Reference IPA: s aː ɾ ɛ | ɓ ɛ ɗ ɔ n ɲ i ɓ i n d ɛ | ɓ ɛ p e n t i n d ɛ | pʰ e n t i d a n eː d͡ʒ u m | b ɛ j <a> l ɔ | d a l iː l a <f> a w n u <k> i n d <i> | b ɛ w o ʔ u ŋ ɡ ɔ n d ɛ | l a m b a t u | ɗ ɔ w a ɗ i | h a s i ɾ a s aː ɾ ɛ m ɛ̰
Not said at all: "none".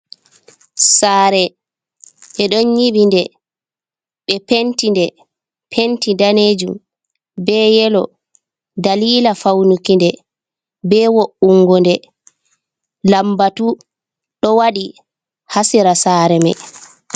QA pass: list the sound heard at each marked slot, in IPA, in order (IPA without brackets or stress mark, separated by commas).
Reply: ɛ, f, k, ɛ